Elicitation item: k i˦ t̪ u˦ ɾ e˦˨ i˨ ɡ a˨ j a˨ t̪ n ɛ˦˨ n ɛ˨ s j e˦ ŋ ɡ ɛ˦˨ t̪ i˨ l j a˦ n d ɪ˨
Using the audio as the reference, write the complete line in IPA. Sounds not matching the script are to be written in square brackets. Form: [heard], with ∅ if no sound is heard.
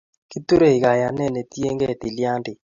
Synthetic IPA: k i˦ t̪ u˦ ɾ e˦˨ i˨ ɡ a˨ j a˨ [∅] n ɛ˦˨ n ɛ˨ [t] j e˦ ŋ ɡ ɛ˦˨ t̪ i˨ l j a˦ n d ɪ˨